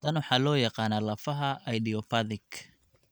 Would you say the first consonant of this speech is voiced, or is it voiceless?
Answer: voiced